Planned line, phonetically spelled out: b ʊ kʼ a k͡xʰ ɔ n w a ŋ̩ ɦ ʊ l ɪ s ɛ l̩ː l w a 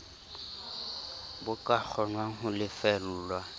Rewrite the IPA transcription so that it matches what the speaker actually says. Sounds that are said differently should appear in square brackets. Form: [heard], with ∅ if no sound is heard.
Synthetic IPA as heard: b ʊ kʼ a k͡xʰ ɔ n w a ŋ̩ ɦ ʊ l ɪ [f] ɛ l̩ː l w a